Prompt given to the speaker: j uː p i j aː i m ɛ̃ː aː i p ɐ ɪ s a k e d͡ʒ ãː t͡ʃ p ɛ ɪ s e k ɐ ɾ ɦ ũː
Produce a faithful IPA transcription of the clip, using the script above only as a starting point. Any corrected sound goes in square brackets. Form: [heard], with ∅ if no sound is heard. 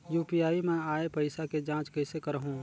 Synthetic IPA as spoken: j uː p i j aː i m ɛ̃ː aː [e] p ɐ ɪ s a k e d͡ʒ ãː t͡ʃ [k] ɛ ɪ s e k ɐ ɾ ɦ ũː